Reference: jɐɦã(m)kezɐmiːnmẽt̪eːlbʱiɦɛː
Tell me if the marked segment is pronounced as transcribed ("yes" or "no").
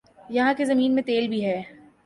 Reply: no